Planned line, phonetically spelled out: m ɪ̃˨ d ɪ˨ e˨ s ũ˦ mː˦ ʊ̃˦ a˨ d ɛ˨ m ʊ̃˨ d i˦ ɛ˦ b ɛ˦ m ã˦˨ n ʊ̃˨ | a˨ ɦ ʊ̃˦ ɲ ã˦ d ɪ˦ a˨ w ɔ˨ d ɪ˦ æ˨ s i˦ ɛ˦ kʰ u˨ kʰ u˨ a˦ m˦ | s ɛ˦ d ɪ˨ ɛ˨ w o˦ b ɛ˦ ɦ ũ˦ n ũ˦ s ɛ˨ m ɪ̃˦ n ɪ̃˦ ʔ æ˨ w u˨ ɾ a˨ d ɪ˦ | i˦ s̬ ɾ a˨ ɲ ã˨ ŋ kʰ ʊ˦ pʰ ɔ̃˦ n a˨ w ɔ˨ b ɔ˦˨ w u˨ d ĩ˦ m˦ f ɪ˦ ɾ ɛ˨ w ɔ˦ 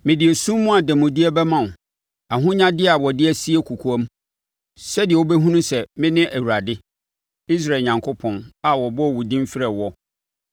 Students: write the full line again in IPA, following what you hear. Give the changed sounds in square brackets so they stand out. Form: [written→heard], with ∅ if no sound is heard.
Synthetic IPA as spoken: m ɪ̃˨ d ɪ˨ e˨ s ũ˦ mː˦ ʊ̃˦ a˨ d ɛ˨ m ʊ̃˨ d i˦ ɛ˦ b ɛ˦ m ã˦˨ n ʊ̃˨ | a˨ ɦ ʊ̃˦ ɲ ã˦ d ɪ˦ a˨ w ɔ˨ d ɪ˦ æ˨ s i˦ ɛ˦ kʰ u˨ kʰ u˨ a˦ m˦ | s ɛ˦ d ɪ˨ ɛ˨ w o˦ b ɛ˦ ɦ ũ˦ n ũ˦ s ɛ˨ m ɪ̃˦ n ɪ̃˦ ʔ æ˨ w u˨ ɾ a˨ d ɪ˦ | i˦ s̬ ɾ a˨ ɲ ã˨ ŋ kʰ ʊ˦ pʰ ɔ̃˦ n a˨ w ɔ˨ b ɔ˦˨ w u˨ d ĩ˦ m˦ f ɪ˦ ɾ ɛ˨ w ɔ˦